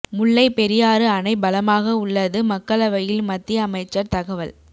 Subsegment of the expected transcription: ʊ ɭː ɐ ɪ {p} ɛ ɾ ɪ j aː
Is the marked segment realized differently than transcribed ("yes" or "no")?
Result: no